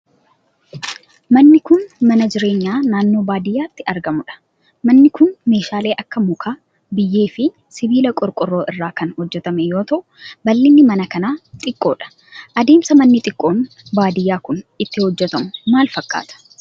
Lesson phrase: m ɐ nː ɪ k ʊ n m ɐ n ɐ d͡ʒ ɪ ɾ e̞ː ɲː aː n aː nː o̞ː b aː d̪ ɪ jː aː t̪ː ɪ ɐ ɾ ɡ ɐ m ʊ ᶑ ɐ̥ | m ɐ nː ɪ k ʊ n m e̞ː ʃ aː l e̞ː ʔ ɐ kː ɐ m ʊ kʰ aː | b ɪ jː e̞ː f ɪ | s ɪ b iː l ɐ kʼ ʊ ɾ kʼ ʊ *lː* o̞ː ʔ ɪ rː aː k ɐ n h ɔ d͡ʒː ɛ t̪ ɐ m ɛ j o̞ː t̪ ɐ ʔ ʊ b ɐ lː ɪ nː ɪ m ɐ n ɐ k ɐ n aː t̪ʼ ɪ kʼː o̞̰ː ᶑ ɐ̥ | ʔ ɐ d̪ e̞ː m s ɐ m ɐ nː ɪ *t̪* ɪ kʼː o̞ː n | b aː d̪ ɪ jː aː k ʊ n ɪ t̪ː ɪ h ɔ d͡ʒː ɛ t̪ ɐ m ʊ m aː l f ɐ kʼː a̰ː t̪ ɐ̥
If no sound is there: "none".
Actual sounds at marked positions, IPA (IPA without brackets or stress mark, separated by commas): rː, t̪ʼ